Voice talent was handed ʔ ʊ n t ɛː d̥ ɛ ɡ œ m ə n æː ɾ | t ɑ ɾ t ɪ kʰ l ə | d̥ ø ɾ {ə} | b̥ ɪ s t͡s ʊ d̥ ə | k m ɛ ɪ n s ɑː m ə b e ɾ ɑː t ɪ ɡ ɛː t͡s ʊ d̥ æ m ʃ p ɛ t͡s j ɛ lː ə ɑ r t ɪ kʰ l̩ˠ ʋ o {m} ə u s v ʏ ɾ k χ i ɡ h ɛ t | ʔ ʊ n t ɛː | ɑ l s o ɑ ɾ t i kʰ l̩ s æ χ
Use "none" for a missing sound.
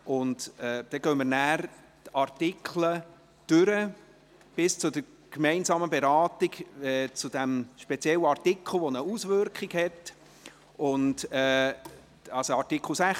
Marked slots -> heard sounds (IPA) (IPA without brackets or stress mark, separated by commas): ə, n